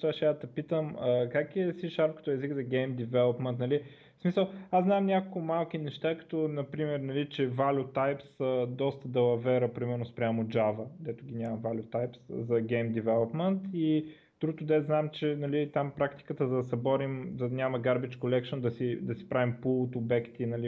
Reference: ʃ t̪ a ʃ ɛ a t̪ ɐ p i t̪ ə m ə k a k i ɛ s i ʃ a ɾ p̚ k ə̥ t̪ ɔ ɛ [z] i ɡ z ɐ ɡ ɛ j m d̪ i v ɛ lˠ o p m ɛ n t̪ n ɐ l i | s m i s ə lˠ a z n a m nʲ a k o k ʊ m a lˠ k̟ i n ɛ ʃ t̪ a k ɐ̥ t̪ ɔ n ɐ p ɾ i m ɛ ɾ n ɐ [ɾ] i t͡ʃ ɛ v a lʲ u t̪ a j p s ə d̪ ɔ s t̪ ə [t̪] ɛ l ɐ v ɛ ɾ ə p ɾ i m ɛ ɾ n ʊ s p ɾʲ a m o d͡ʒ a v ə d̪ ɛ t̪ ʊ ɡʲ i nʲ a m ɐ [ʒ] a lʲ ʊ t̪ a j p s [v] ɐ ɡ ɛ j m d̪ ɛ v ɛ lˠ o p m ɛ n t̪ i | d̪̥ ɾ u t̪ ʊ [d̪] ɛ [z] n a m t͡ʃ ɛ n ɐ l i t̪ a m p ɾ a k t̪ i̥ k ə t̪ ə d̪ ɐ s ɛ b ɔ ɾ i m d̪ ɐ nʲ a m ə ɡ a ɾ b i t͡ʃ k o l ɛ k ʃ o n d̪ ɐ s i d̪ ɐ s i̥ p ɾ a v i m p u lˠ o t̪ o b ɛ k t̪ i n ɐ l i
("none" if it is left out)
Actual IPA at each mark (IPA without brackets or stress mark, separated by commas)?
z, l, d̪, v, z, d̪, z